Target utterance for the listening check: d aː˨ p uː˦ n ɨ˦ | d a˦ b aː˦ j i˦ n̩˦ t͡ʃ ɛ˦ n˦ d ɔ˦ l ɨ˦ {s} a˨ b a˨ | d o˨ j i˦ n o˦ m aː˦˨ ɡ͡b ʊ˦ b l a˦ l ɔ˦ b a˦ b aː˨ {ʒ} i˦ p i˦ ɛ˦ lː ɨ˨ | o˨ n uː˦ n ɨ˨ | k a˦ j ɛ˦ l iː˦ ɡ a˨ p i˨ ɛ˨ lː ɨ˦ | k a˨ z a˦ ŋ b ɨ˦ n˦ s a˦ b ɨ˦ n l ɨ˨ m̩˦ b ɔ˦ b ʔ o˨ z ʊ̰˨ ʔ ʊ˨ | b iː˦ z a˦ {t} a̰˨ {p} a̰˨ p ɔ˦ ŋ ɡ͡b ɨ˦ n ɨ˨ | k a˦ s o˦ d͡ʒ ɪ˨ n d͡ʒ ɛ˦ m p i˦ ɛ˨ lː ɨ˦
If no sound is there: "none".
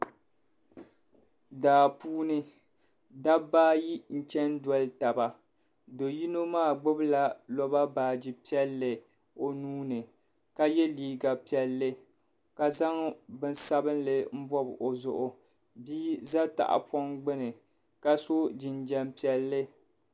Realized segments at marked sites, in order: t, d͡ʒ, t, ʔ

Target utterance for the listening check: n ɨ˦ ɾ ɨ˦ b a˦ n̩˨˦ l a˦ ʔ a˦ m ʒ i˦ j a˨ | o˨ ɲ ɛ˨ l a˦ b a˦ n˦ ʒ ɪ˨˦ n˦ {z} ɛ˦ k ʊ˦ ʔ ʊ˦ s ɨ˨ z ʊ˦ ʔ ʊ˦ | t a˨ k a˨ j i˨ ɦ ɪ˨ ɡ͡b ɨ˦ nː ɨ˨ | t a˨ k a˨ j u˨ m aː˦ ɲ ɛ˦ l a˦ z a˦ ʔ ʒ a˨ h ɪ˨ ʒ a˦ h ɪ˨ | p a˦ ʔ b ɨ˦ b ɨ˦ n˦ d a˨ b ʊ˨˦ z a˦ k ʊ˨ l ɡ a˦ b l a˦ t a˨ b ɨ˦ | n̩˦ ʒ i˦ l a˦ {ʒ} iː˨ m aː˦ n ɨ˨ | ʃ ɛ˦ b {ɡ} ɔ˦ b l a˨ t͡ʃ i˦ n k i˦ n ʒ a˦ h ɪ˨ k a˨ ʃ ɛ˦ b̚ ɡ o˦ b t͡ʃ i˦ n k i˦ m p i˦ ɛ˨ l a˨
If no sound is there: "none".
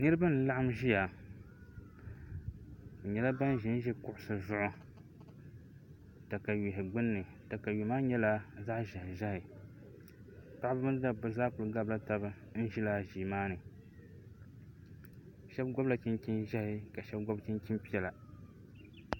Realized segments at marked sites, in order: ʒ, ʒ, ɡ

